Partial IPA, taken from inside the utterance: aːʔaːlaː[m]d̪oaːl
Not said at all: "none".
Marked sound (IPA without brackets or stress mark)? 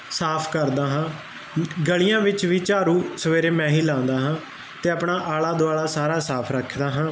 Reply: none